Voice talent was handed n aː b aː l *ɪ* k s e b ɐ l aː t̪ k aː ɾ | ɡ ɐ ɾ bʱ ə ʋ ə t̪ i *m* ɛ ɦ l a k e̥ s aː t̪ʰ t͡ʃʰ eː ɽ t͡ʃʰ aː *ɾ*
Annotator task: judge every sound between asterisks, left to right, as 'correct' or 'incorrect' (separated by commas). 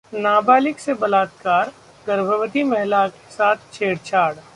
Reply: correct, correct, incorrect